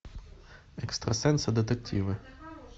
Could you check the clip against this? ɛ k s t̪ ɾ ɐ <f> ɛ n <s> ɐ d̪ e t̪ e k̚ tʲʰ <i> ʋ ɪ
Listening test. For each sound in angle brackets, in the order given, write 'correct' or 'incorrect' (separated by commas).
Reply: incorrect, correct, correct